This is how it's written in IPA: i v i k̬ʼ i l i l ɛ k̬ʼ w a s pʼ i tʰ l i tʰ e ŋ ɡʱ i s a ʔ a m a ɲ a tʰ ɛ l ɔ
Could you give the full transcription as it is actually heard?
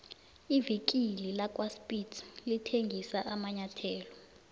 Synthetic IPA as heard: i v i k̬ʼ i l i l a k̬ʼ w a s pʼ i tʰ l i tʰ e ŋ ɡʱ i s a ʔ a m a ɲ a tʰ ɛː l ɔ